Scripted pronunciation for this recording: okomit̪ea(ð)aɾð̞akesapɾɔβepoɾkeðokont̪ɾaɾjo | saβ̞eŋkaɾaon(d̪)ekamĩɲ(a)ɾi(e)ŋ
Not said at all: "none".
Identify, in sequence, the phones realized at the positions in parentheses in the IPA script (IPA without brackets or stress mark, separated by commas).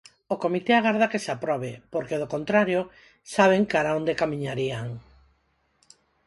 ɣ, d̪, a, a